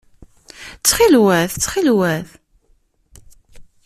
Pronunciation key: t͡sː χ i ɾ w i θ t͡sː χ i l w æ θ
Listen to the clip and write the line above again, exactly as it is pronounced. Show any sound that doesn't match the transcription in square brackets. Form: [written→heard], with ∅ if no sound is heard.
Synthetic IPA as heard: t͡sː χ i [ɾ→l] w [i→æ] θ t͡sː χ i l w æ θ